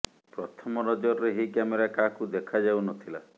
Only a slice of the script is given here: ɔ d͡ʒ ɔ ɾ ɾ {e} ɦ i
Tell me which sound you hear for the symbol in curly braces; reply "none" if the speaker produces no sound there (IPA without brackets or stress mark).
e